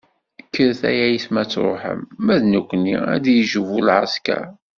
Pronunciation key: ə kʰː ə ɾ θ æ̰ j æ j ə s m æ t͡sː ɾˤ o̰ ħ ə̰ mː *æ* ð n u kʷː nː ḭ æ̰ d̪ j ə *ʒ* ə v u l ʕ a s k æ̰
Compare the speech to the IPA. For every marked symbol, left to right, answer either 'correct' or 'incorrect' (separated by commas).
correct, correct